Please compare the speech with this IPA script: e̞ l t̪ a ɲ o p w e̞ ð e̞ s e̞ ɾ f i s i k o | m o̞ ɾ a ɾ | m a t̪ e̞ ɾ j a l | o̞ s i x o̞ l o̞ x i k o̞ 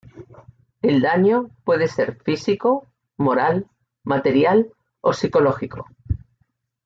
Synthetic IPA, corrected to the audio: e̞ l d̪ a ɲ o p w e̞ ð e̞ s e̞ ɾ f i s i k o | m o̞ ɾ a l | m a t̪ e̞ ɾ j a l | o̞ s i k o̞ l o̞ x i k o̞